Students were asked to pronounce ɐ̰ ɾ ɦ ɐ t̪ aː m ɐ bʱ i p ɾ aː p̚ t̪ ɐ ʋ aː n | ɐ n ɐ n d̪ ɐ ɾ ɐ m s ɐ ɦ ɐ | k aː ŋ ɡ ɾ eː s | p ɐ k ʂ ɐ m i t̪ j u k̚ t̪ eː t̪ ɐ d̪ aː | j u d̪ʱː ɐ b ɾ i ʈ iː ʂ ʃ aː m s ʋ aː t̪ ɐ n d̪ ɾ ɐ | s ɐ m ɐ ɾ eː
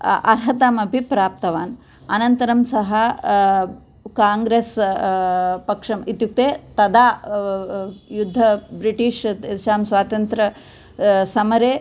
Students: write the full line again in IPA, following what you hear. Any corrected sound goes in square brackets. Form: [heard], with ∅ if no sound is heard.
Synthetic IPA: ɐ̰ ɾ ɦ ɐ t̪ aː m ɐ bʱ i p ɾ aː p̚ t̪ ɐ ʋ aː n | ɐ n ɐ n [t̪] ɐ ɾ ɐ m s ɐ ɦ ɐ | k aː ŋ ɡ ɾ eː s | p ɐ k ʂ ɐ m i t̪ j u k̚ t̪ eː t̪ ɐ d̪ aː | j u d̪ʱː ɐ b ɾ i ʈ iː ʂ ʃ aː m s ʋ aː t̪ ɐ n [t̪] ɾ ɐ | s ɐ m ɐ ɾ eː